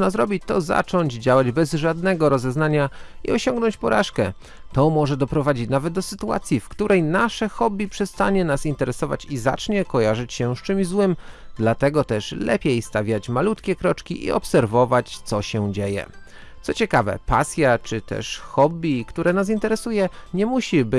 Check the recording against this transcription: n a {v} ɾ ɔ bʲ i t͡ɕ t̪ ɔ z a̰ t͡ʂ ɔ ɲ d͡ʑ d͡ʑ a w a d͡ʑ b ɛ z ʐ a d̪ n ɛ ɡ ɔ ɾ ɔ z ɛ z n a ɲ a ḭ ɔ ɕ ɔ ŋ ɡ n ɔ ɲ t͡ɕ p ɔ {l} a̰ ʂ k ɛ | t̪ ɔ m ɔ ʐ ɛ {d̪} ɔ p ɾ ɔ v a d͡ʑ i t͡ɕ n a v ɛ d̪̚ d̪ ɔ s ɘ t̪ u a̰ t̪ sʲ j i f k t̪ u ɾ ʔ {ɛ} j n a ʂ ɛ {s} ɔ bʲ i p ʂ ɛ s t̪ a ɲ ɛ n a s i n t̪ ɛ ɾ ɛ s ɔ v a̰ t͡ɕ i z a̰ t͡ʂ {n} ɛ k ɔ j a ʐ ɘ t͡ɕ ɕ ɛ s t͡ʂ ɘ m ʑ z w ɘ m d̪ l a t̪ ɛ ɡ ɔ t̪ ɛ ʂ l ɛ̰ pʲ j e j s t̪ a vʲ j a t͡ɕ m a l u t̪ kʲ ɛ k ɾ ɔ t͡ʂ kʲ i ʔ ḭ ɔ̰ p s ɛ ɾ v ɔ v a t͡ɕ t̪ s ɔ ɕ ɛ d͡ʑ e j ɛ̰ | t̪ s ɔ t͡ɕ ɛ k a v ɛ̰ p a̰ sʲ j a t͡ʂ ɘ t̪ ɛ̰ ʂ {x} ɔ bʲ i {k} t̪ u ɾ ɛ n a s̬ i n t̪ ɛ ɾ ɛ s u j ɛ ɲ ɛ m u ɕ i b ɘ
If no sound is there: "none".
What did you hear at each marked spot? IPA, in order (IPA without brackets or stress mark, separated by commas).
z, ɾ, d̪, ɛ, x, ɲ, x, k